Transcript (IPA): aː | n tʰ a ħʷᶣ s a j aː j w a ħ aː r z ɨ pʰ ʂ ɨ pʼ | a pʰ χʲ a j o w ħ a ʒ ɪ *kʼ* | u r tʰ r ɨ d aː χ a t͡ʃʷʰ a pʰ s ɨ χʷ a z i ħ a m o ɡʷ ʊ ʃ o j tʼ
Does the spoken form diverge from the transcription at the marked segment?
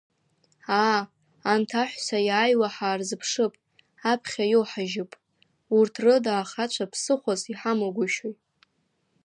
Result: yes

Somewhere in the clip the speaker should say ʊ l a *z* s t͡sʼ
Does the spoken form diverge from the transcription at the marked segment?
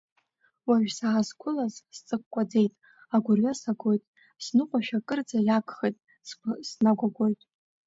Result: no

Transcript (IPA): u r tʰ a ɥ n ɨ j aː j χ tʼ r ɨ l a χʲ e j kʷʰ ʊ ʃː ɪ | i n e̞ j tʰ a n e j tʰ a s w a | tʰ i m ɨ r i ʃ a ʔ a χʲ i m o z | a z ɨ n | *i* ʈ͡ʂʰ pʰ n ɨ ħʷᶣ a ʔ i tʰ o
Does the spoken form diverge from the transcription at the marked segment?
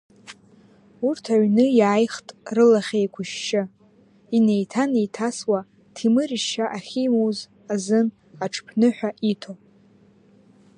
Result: yes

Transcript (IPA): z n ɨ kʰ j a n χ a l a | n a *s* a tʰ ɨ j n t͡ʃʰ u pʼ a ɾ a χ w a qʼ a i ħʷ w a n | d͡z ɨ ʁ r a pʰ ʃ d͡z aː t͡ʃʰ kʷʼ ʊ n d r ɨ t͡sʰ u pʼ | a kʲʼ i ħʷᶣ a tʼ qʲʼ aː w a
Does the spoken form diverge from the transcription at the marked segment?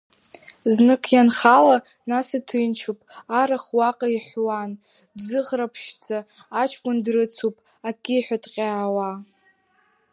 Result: no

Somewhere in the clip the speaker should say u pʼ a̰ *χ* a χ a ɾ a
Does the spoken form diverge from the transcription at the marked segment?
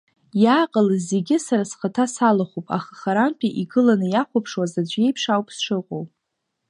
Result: no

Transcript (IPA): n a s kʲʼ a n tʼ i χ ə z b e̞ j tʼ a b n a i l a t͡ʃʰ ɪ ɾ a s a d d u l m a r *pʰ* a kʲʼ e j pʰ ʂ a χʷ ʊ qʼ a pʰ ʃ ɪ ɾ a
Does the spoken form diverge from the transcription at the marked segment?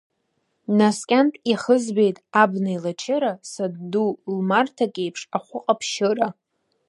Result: yes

